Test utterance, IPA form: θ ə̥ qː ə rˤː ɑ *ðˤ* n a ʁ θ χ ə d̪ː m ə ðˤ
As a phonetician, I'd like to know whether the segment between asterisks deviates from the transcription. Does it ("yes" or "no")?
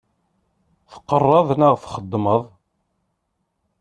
no